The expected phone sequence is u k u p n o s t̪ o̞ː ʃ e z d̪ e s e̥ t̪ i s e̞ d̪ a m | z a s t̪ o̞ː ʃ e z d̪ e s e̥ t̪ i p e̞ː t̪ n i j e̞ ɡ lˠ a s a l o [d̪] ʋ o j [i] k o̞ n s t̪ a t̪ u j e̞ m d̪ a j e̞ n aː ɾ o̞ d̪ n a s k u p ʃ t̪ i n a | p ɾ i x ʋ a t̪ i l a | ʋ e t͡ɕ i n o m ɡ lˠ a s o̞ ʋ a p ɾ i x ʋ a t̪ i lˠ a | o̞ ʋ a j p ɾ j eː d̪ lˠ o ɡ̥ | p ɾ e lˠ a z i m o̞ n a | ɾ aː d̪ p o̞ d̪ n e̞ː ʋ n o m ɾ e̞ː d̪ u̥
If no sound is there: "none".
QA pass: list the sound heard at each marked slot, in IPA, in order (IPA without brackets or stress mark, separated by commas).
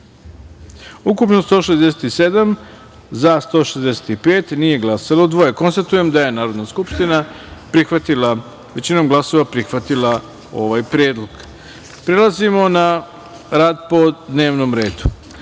d̪, e